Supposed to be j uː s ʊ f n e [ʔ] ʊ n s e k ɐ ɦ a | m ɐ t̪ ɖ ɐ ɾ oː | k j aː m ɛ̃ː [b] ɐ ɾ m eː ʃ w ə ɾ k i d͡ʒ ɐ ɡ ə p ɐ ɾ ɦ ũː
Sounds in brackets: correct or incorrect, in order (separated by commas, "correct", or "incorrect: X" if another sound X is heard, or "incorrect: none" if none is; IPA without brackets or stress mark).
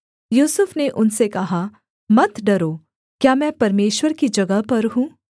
correct, incorrect: p